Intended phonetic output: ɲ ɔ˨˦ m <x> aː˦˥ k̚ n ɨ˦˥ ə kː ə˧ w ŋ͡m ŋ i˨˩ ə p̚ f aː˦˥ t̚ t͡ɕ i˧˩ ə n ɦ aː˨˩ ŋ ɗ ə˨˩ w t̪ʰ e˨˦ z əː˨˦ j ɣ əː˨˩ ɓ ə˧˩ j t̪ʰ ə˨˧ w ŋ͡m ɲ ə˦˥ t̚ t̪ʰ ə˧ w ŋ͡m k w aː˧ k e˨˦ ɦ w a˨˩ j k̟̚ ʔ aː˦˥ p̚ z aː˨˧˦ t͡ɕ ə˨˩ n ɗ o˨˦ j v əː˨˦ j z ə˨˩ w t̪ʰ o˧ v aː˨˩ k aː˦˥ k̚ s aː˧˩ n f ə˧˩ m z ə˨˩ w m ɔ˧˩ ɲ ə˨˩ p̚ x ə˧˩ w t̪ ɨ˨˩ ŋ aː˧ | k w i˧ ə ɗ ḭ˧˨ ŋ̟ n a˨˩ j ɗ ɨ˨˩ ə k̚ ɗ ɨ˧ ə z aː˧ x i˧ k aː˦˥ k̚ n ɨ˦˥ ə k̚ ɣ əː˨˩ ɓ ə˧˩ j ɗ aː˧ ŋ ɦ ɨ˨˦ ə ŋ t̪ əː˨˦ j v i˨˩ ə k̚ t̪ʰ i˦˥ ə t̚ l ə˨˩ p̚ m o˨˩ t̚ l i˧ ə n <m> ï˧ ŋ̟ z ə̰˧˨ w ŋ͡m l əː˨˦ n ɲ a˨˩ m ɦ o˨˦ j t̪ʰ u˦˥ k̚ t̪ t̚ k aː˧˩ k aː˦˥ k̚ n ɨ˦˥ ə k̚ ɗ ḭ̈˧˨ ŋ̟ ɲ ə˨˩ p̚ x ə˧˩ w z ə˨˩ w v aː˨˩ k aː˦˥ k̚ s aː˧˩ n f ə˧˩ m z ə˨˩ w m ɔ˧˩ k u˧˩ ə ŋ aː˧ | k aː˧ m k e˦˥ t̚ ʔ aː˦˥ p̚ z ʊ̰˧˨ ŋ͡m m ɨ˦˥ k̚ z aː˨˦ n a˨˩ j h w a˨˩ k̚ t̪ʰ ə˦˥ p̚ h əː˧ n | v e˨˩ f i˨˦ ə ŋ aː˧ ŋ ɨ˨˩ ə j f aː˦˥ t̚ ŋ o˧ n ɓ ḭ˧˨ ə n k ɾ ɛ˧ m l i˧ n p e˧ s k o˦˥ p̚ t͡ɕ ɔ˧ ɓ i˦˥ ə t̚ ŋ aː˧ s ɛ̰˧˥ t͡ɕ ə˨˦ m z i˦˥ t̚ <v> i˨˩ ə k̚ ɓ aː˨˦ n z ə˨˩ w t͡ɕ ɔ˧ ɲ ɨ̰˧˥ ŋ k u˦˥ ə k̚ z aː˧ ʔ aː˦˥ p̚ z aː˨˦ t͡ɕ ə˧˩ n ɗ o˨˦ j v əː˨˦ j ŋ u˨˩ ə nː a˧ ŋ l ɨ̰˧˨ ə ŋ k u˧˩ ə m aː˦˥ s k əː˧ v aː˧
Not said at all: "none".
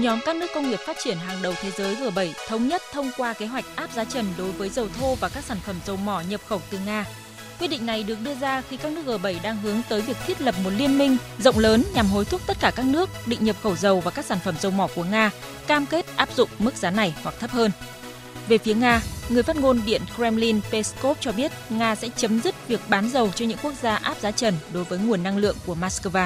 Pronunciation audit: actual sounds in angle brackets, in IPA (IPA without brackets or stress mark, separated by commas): k, m, v